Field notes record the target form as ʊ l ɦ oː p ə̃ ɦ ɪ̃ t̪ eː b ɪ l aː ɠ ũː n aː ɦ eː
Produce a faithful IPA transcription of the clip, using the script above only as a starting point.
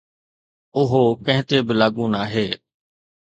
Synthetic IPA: ʊ ɦ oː k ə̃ ɦ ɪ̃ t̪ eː b ɪ l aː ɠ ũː n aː ɦ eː